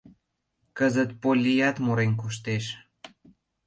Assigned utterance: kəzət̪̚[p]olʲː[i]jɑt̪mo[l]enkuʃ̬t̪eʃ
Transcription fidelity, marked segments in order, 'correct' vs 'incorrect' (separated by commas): correct, correct, incorrect